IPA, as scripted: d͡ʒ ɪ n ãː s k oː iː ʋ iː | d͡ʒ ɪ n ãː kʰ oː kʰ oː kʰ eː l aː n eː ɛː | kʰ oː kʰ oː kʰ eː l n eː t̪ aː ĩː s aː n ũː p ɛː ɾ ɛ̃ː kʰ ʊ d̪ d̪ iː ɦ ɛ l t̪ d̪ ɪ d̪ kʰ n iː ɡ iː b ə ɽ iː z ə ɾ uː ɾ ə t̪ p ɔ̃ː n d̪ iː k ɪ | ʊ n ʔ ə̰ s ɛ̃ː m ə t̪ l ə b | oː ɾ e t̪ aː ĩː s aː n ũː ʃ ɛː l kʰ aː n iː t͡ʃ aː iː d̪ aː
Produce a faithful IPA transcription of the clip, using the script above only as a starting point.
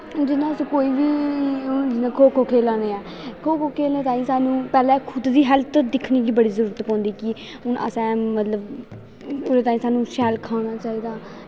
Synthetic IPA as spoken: d͡ʒ ɪ n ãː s k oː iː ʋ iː | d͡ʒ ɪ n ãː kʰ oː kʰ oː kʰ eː l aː n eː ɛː | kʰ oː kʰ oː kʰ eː l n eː t̪ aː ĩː s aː n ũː p ɛː l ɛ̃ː kʰ ʊ d̪ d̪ iː ɦ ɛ l t̪ d̪ ɪ kʰ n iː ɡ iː b ə ɽ iː z ə ɾ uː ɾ ə t̪ p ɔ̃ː n d̪ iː k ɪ | ʊ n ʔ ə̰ s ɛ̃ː m ə t̪ l ə b | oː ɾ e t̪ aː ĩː s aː n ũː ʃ ɛː l kʰ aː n aː t͡ʃ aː iː d̪ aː